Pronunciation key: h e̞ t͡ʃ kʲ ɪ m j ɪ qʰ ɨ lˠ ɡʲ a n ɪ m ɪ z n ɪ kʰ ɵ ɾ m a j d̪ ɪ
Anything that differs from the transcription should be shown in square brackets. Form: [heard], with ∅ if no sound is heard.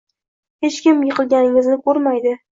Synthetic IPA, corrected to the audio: h e̞ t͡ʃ kʲ ɪ m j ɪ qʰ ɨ lˠ ɡʲ a n ɪ [ŋ] ɪ z n ɪ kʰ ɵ ɾ m a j d̪ ɪ